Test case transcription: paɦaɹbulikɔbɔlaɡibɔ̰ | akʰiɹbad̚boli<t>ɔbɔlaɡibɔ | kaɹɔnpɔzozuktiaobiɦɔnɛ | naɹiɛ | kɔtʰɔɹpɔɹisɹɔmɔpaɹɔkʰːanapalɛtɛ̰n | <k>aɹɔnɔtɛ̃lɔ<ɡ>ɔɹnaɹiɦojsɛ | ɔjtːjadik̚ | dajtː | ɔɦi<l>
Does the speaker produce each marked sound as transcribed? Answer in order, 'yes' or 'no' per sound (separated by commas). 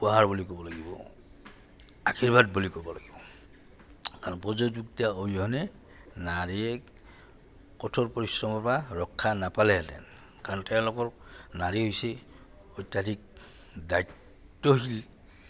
no, yes, no, yes